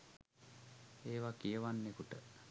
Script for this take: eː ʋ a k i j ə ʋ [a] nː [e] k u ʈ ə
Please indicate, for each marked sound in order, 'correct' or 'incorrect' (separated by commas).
correct, correct